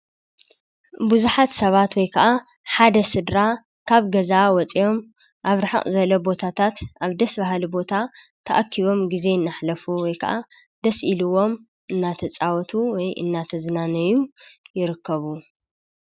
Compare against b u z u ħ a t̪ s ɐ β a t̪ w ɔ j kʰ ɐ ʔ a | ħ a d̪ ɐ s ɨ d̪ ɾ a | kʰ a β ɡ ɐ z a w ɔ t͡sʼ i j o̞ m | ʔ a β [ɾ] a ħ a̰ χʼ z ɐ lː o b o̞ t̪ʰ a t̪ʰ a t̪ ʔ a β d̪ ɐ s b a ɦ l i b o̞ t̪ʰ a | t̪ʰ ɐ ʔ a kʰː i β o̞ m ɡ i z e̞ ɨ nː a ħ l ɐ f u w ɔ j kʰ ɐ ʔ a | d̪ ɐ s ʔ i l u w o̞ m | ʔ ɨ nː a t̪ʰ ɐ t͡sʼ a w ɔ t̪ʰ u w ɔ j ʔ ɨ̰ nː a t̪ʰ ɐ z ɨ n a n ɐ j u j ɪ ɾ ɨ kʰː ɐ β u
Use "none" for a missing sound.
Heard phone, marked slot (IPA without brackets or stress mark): ɾ